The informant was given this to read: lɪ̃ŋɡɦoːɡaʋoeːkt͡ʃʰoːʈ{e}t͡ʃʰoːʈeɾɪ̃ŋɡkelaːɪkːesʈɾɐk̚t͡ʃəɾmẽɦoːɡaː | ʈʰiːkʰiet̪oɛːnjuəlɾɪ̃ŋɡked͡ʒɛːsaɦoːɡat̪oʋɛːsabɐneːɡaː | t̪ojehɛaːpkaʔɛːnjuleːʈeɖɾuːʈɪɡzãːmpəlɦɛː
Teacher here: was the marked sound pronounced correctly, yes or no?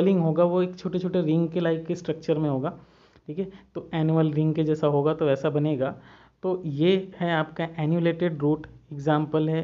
yes